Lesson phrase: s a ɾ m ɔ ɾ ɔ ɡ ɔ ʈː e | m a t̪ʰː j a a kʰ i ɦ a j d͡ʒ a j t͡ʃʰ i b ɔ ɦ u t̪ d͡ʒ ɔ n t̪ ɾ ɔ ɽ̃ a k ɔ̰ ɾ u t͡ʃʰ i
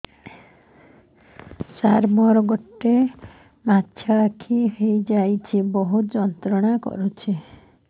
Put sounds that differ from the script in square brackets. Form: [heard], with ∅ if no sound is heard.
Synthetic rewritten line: s a ɾ m ɔ ɾ ɔ ɡ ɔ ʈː e | m a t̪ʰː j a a kʰ i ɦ [e] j d͡ʒ a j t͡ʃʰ i b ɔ ɦ u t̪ d͡ʒ ɔ n t̪ ɾ ɔ ɽ̃ a k ɔ̰ ɾ u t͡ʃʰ i